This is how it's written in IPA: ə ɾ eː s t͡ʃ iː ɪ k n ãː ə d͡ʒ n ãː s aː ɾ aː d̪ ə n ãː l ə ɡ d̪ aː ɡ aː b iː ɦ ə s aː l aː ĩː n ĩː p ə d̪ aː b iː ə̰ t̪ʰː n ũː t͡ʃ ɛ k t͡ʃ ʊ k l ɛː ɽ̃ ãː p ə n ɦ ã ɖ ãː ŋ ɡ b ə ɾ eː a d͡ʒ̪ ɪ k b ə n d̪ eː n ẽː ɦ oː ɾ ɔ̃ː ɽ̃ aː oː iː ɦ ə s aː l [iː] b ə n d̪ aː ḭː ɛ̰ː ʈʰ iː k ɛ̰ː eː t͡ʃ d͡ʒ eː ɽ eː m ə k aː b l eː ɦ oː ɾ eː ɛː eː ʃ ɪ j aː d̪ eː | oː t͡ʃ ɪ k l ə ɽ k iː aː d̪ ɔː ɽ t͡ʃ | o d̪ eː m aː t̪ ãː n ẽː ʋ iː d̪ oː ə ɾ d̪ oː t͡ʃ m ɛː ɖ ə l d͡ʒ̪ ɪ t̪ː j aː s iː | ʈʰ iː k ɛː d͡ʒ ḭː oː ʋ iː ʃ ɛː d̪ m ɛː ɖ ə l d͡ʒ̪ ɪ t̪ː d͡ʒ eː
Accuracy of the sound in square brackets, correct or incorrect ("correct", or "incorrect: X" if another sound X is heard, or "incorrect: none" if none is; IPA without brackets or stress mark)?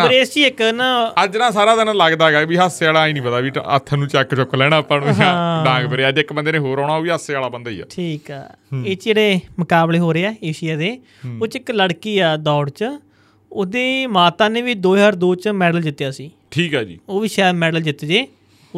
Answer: incorrect: aː